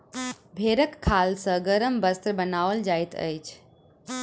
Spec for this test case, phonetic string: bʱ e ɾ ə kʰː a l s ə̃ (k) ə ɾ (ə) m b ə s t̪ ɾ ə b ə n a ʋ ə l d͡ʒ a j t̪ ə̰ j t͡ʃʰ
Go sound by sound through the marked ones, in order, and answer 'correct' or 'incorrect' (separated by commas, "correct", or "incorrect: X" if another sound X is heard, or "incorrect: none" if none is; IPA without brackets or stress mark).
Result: incorrect: ɡ, correct